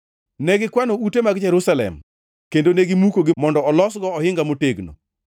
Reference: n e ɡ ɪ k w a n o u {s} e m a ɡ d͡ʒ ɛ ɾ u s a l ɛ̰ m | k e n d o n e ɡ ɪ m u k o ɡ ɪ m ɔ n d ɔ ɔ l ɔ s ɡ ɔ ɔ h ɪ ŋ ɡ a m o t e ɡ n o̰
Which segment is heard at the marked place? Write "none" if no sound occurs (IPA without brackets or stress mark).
t